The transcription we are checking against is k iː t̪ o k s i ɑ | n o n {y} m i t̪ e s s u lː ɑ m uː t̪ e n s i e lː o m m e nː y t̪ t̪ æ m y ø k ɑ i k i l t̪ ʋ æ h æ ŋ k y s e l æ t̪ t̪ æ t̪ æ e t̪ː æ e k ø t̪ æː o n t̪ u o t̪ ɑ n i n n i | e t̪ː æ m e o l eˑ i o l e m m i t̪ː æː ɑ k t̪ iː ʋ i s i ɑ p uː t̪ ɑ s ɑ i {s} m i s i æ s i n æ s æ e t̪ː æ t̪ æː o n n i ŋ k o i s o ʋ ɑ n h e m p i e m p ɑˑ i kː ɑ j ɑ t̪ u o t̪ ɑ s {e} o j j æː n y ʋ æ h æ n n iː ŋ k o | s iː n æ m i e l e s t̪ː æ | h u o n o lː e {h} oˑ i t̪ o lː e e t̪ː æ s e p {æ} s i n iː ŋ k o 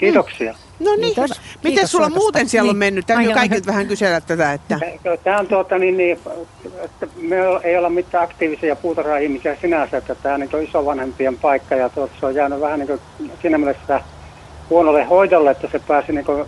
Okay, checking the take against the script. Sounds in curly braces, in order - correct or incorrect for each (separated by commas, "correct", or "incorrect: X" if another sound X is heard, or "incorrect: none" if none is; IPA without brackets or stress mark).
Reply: incorrect: i, incorrect: h, correct, correct, incorrect: æː